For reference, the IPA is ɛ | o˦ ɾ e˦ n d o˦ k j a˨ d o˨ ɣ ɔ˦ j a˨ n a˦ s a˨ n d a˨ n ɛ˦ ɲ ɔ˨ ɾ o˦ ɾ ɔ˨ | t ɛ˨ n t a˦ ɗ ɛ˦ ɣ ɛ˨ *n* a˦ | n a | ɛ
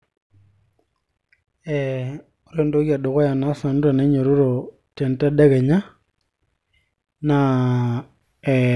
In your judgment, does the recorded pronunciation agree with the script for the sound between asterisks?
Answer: no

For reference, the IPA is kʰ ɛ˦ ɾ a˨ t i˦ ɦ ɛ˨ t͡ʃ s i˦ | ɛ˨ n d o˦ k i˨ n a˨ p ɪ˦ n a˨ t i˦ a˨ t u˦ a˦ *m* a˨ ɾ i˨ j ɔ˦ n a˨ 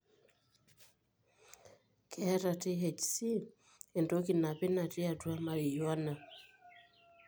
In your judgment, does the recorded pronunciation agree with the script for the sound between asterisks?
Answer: yes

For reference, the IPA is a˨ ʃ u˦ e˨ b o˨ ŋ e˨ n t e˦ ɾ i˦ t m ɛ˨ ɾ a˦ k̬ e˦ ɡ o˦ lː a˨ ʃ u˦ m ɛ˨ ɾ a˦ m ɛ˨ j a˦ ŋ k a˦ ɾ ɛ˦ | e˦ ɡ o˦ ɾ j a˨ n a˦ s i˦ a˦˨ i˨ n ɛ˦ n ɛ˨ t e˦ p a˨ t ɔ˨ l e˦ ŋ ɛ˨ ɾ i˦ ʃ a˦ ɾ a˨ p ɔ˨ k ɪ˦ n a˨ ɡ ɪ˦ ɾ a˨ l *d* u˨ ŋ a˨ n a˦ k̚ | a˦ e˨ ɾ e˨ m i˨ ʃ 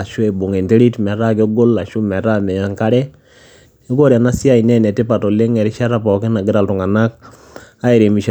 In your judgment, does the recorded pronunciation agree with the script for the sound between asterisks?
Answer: no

